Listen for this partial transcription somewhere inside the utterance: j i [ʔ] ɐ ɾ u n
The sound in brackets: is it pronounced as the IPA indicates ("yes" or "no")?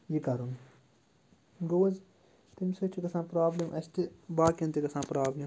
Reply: no